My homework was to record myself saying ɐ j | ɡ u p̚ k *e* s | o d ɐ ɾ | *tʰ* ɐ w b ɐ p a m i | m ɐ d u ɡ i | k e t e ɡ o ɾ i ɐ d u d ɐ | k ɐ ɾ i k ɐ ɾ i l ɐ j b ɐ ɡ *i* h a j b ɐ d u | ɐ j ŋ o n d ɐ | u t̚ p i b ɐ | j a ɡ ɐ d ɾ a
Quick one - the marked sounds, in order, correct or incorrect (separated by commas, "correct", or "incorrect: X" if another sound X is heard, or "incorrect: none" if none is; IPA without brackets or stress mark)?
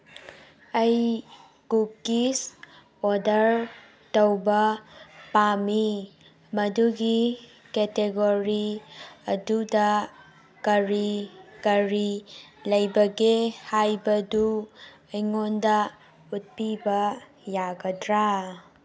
incorrect: i, incorrect: t, incorrect: e